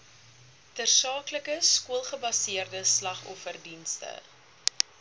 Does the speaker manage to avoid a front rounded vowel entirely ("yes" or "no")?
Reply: yes